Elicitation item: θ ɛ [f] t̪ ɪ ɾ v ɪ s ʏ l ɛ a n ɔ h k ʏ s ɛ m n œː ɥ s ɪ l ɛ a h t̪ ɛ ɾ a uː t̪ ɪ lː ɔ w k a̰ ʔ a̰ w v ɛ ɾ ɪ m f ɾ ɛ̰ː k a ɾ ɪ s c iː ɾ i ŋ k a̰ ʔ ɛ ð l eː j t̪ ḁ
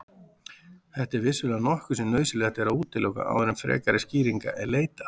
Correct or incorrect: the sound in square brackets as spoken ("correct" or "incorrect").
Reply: incorrect